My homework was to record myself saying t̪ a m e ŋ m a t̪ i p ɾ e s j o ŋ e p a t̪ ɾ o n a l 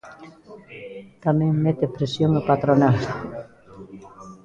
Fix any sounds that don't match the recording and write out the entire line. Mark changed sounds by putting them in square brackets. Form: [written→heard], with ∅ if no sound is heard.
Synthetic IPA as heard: t̪ a m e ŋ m [a→e] t̪ [i→e] p ɾ e s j o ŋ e p a t̪ ɾ o n a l